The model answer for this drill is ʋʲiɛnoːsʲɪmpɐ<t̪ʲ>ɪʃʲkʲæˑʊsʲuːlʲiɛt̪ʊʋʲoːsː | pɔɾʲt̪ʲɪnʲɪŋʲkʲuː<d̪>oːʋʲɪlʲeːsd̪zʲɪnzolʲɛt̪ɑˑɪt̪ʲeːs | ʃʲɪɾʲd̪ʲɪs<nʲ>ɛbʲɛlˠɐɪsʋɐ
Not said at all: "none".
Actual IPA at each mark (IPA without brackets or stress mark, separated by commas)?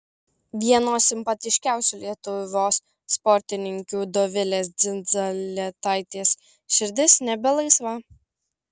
t̪ʲ, d̪, nʲ